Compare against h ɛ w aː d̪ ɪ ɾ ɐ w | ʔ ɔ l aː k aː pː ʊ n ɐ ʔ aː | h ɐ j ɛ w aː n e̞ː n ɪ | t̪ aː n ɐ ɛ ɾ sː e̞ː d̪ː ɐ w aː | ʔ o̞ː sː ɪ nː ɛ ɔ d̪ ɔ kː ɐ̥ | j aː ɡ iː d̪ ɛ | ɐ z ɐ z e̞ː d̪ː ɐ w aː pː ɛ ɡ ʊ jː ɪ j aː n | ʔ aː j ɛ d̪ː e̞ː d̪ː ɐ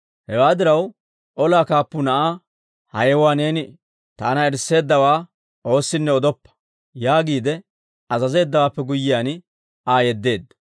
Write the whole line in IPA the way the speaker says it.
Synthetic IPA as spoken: h ɛ w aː d̪ ɪ ɾ ɐ w | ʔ ɔ l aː k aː pː ʊ n ɐ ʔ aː | h ɐ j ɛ w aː n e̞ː n ɪ | t̪ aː n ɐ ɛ ɾ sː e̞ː d̪ː ɐ w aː | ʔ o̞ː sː ɪ nː ɛ ɔ d̪ ɔ pː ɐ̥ | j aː ɡ iː d̪ ɛ | ɐ z ɐ z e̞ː d̪ː ɐ w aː pː ɛ ɡ ʊ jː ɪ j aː n | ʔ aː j ɛ d̪ː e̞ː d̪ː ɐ